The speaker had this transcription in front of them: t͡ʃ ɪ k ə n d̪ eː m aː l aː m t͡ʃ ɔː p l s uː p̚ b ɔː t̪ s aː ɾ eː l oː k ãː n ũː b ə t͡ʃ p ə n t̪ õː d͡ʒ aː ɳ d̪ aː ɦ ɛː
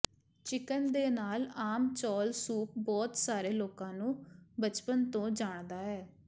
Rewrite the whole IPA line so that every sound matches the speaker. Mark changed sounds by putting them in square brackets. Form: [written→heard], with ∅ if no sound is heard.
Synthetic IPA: t͡ʃ ɪ k ə n d̪ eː [m→n] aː l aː m t͡ʃ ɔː [p→∅] l s uː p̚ b ɔː t̪ s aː ɾ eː l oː k ãː n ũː b ə t͡ʃ p ə n t̪ õː d͡ʒ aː ɳ d̪ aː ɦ ɛː